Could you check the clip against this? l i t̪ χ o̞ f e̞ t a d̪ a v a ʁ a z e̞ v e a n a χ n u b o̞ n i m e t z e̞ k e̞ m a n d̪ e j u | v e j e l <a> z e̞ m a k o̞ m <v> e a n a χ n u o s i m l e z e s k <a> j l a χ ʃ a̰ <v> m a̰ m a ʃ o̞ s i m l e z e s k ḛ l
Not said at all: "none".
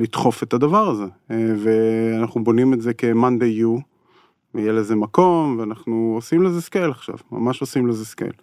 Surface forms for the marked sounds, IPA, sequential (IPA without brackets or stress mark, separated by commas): e, v, e, v